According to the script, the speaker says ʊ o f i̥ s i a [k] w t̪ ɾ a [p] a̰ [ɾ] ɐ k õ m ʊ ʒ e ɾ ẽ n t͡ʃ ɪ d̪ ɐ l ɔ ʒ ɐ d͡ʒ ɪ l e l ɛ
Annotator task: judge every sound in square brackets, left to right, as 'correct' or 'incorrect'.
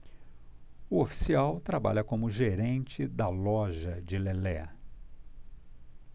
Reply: incorrect: none, incorrect: b, incorrect: ʎ

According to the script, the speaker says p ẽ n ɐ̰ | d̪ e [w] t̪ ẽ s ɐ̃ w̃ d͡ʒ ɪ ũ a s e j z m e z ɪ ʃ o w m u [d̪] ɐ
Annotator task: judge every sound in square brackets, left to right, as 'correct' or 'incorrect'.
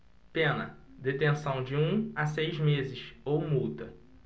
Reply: incorrect: none, incorrect: t̪

